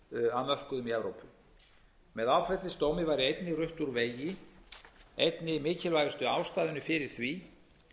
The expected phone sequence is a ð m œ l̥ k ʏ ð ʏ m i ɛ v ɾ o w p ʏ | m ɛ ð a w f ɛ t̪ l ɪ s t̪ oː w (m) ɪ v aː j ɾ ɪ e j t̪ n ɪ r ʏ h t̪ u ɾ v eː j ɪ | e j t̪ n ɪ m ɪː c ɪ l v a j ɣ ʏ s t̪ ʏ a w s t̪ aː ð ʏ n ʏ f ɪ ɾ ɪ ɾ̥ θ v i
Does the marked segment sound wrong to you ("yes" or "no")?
no